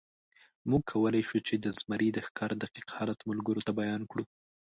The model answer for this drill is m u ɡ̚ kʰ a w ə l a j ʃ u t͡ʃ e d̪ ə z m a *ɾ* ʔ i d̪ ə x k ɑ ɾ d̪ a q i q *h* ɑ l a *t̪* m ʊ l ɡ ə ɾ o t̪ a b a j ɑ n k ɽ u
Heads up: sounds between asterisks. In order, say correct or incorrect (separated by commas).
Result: correct, correct, correct